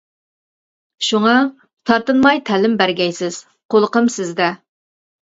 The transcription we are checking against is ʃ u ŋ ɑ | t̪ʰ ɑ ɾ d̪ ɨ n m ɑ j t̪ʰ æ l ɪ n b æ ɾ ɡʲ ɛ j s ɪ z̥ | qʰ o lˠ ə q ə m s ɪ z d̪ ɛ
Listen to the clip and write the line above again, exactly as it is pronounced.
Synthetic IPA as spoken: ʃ u ŋ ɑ | t̪ʰ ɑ ɾ t̪ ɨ n m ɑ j t̪ʰ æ l ɪ m b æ ɾ ɡʲ ɛ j s ɪ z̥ | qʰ o lˠ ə q ə m s ɪ z d̪ ɛ